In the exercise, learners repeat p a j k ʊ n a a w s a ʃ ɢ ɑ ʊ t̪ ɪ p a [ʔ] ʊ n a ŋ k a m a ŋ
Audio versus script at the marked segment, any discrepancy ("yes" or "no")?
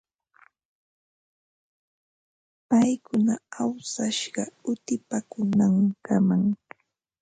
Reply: yes